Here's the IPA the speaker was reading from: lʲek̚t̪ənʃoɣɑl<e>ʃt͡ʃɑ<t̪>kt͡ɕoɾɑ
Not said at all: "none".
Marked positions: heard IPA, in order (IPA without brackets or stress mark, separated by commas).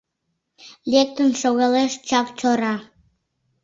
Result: e, none